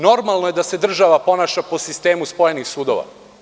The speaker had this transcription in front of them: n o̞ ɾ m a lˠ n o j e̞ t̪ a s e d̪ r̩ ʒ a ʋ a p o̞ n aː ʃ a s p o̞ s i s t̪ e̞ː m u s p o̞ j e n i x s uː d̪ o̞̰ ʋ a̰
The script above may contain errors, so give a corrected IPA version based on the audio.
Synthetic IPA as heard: n o̞ ɾ m a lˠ n o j e̞ d̪ a s e d̪ r̩ ʒ a ʋ a p o̞ n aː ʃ a p o̞ s i s t̪ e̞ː m u s p o̞ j e n i x s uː d̪ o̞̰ ʋ a̰